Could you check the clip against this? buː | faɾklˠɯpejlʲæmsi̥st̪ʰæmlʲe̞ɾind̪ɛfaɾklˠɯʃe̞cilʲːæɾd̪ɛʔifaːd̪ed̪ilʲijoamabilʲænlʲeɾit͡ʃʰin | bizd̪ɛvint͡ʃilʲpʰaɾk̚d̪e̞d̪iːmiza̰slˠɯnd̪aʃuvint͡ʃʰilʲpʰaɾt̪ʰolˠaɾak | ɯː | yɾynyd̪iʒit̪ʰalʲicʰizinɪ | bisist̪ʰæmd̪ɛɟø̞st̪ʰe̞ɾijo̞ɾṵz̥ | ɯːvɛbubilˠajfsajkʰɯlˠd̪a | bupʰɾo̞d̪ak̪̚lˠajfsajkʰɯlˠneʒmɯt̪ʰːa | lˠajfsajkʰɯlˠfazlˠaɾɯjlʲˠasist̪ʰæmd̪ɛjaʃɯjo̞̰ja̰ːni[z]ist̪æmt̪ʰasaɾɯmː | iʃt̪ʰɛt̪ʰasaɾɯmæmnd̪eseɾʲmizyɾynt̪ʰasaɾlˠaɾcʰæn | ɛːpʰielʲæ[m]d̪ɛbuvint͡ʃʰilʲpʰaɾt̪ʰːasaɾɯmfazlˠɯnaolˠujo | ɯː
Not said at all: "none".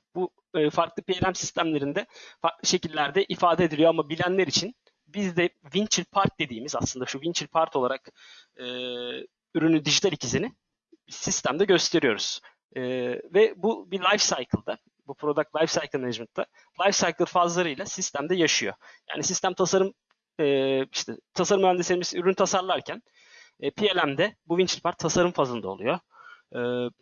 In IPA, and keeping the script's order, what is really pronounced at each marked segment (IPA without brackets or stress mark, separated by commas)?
s, m